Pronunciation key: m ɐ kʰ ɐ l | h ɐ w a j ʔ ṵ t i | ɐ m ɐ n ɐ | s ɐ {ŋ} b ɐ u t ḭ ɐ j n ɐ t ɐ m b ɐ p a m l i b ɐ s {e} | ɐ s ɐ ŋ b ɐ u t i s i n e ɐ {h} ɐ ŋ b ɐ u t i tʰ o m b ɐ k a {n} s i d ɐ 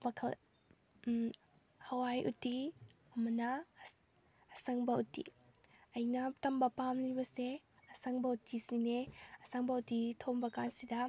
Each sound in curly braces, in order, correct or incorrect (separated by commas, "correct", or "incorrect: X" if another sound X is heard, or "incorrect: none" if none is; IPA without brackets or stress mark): correct, correct, incorrect: s, correct